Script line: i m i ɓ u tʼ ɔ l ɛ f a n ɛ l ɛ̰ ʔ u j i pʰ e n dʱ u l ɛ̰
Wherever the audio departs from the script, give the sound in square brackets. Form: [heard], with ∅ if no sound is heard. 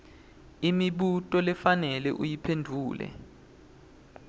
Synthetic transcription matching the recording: i m i ɓ u tʼ ɔ l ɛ f a n ɛ l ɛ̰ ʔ u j i pʰ e n dʱ [uː] l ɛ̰